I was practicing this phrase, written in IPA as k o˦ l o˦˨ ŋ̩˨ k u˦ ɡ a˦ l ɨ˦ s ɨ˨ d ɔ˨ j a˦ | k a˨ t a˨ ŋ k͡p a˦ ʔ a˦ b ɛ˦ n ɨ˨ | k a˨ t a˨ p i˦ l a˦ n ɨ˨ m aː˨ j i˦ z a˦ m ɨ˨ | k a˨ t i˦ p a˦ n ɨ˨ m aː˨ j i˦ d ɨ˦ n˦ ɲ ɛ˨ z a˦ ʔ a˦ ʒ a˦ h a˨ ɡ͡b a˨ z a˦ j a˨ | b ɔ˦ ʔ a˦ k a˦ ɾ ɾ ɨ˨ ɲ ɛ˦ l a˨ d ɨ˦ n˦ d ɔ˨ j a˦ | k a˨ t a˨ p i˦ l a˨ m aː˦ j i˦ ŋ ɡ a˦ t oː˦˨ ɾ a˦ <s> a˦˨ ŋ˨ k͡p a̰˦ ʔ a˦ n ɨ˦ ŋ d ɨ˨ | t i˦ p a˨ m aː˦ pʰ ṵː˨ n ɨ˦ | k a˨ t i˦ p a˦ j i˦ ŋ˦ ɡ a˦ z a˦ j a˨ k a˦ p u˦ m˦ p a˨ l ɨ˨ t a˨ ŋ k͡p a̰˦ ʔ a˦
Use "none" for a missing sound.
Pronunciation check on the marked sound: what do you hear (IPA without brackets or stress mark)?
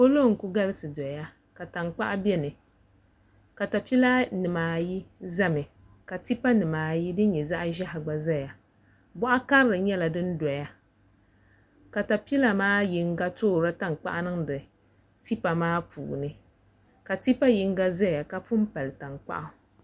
t